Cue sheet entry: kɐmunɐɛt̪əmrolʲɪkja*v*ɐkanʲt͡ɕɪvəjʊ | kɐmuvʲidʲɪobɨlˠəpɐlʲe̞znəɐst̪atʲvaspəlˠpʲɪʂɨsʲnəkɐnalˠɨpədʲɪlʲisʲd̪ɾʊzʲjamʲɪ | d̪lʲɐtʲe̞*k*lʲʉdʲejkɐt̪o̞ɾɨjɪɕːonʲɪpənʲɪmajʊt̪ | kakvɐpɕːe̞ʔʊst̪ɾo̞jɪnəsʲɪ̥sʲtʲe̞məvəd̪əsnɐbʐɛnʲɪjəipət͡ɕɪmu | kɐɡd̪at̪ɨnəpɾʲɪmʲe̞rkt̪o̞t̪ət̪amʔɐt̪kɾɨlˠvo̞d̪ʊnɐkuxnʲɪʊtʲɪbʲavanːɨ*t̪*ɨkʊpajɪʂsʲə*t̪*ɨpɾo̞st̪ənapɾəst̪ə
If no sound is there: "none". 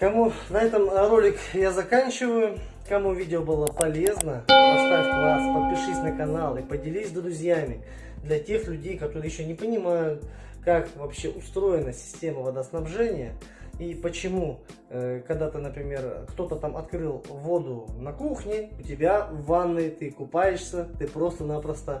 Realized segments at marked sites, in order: z, x, t̪, t̪

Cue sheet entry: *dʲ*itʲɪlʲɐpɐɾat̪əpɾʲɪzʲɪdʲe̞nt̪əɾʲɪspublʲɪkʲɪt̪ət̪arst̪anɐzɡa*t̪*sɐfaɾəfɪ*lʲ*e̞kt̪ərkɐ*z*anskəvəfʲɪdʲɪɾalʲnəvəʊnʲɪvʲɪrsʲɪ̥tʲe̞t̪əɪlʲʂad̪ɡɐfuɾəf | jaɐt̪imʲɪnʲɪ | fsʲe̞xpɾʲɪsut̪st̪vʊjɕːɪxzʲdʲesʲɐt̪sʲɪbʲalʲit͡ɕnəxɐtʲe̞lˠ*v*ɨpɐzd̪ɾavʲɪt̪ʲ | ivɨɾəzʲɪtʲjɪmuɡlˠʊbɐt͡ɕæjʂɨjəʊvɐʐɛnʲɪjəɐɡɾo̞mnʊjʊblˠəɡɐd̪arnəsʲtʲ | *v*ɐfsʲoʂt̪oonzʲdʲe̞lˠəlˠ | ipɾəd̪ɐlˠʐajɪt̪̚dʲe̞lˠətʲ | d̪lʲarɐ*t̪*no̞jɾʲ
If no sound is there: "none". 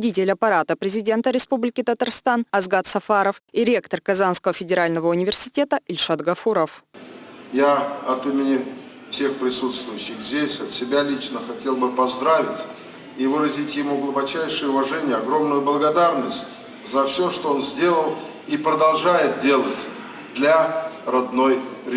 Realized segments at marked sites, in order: dʲ, t̪, ɾʲ, z, b, z, d̪

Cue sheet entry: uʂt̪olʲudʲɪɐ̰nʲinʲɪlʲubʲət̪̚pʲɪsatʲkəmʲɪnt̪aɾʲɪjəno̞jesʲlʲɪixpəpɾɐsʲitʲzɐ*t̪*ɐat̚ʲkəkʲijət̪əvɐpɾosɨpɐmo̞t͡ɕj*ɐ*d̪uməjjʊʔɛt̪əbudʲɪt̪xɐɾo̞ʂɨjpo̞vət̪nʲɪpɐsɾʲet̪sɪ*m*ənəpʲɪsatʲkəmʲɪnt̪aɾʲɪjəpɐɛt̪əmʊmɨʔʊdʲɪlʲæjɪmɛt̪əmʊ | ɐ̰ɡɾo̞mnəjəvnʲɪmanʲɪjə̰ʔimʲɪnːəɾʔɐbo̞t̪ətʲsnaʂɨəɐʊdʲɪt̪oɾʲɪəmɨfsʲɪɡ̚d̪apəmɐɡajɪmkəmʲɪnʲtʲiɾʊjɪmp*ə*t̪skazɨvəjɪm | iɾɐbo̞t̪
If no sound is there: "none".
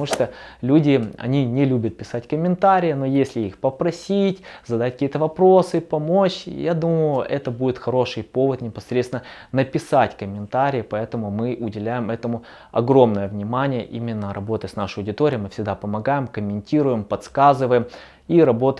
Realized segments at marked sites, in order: d̪, a, n, ɐ

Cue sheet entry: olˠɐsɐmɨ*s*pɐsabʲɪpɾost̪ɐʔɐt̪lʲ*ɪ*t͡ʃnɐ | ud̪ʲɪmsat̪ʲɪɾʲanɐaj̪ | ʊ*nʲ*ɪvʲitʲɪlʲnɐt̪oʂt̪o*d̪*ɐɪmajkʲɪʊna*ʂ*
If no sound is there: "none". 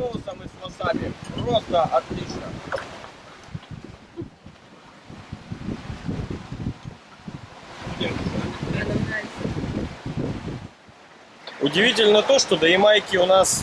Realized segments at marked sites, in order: s, i, dʲ, d̪, s

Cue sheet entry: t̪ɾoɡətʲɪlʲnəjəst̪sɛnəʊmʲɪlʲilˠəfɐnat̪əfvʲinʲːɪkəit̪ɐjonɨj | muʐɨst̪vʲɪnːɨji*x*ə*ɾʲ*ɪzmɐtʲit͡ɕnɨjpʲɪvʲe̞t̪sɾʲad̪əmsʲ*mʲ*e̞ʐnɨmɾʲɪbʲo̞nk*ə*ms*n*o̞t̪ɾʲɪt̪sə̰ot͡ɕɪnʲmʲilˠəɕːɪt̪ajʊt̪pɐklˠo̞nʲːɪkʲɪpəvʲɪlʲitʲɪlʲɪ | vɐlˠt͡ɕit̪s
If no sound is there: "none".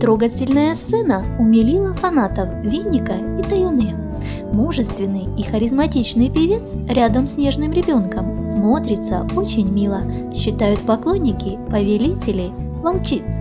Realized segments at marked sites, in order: x, ɾʲ, nʲ, ə, m

